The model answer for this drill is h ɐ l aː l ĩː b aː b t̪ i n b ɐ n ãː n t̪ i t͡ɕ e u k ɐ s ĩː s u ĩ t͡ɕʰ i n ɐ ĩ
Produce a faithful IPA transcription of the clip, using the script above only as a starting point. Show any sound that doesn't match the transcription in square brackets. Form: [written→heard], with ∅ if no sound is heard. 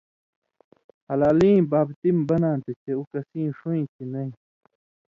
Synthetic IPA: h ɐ l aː l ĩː b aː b t̪ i [n→m] b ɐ n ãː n t̪ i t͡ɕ e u k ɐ s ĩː [s→ʂ] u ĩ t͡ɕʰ i n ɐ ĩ